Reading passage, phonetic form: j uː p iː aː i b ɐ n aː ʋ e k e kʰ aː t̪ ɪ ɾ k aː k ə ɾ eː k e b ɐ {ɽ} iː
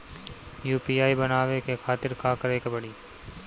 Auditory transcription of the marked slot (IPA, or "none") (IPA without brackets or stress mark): ɽ